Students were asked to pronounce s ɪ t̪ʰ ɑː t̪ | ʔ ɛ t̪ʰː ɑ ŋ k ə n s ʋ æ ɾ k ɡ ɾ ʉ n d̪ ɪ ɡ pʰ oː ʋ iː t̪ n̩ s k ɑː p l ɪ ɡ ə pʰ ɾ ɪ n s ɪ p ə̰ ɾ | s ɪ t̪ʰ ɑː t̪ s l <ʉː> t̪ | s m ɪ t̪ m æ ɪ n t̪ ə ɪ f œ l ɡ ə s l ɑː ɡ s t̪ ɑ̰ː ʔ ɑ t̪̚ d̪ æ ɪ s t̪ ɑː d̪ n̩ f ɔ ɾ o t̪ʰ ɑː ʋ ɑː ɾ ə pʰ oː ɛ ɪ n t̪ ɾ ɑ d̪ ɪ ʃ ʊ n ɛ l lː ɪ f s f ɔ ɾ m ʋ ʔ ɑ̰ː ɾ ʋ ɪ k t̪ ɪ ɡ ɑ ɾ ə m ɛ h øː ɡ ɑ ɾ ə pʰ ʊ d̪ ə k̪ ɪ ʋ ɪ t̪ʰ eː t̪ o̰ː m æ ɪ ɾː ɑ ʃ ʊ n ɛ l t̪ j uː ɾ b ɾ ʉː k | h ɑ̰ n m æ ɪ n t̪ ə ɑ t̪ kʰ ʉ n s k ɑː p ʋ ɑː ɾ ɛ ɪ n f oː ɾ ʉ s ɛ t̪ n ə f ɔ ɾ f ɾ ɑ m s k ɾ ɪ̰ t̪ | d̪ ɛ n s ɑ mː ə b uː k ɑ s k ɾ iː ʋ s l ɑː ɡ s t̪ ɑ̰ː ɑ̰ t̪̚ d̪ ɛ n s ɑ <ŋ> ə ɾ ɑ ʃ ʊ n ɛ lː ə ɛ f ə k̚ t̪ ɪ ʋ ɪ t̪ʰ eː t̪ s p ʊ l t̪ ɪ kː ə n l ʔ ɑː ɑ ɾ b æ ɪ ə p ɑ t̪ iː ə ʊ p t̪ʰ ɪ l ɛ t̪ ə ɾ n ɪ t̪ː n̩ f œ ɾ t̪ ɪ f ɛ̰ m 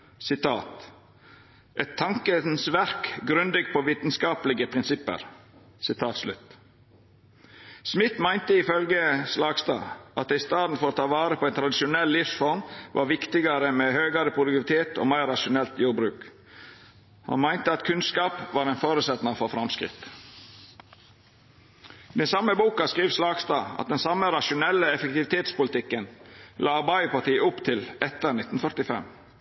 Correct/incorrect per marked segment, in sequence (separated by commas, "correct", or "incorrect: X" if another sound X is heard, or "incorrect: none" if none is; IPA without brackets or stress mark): incorrect: ʉ, incorrect: m